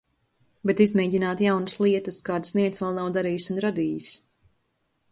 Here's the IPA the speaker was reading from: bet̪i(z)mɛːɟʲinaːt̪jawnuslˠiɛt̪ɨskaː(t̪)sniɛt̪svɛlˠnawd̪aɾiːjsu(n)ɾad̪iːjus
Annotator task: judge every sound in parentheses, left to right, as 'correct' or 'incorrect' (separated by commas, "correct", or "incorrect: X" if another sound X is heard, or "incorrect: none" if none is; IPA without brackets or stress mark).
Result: correct, incorrect: d̪, correct